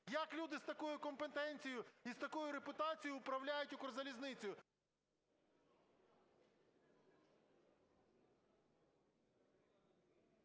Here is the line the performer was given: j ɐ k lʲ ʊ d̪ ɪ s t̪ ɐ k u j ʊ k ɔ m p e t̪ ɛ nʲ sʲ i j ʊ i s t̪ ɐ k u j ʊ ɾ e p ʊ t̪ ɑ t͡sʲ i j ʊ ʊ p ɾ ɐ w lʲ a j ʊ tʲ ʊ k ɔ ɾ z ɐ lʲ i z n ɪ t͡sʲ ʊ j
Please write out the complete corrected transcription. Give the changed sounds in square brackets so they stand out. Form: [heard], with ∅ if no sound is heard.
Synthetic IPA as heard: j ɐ k lʲ [u] d̪ ɪ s t̪ ɐ k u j ʊ k ɔ m p e t̪ ɛ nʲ [t͡sʲ] i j ʊ i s t̪ ɐ k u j ʊ ɾ e p ʊ t̪ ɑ t͡sʲ i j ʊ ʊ p ɾ ɐ w lʲ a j ʊ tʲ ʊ k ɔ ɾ z ɐ lʲ i z n ɪ t͡sʲ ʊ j